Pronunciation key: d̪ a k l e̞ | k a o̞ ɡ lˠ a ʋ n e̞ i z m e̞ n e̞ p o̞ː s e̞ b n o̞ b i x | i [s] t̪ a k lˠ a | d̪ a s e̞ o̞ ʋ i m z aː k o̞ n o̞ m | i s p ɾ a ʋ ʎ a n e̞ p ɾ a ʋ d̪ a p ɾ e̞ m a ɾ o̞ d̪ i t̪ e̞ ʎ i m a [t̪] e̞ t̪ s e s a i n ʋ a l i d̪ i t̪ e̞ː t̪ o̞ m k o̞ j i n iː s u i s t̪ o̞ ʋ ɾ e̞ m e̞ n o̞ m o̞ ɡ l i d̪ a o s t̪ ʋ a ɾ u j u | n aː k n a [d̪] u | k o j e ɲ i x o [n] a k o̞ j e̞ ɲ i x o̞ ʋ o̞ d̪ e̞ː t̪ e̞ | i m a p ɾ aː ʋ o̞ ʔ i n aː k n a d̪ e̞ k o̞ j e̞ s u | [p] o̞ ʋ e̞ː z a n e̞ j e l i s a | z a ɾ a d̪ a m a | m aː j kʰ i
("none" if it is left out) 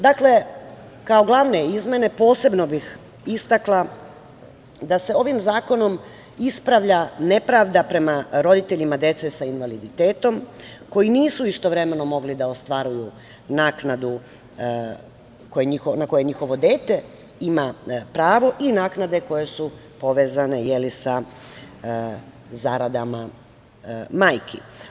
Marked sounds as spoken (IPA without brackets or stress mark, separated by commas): s, d̪, d̪, n, p